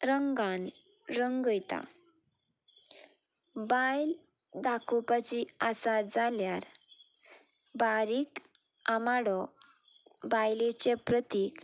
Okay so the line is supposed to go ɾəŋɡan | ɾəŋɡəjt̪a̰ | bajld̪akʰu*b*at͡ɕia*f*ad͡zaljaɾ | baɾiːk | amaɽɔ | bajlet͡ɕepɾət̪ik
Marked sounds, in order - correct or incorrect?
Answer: incorrect: p, incorrect: s

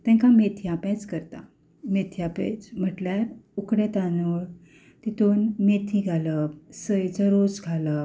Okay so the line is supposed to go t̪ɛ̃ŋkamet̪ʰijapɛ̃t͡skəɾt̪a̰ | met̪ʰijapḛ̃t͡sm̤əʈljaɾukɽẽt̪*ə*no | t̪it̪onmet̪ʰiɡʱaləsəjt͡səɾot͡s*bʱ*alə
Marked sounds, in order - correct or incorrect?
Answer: incorrect: a, incorrect: ɡʱ

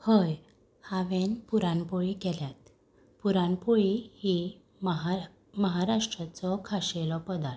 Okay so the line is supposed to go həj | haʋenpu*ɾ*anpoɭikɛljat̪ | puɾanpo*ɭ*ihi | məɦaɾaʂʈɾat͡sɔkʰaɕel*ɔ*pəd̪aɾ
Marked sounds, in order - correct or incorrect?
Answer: correct, correct, correct

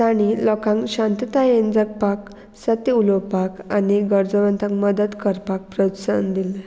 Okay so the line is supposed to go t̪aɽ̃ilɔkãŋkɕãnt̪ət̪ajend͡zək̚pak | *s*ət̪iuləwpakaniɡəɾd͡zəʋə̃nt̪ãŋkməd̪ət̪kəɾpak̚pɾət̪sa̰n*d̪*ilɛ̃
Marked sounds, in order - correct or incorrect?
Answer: correct, correct

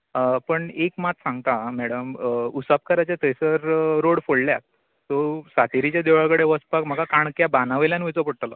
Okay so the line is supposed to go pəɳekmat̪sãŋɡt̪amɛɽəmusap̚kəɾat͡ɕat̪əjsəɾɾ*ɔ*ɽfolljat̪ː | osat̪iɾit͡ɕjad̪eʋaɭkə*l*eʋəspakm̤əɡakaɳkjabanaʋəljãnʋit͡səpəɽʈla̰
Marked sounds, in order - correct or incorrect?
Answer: incorrect: o, incorrect: ɽ

